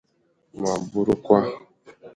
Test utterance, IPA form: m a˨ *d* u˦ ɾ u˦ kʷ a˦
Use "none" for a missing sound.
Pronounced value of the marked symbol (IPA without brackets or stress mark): b